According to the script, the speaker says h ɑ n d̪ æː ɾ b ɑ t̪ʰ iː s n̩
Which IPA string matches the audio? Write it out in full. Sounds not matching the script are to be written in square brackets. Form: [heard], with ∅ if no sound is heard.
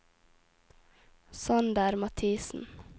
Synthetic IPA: [s] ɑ n d̪ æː ɾ [m] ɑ t̪ʰ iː s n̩